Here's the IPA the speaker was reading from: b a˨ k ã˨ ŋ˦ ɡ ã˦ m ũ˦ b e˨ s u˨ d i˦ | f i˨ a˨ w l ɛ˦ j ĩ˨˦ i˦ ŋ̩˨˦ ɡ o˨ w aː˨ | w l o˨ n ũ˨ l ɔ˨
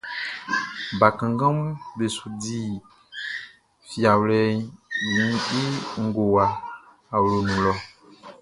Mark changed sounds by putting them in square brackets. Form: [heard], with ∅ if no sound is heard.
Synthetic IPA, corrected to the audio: b a˨ k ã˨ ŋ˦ ɡ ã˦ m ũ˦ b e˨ s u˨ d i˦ | f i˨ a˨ w l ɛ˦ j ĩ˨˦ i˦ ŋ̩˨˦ ɡ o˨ w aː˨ | w l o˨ n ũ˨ l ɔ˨